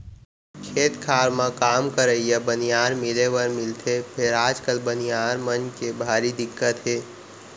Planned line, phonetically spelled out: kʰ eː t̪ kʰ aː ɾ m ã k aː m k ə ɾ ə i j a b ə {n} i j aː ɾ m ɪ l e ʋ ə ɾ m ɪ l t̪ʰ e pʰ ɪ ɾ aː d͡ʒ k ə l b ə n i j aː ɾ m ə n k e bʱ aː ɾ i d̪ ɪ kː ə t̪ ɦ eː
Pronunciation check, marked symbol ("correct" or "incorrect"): correct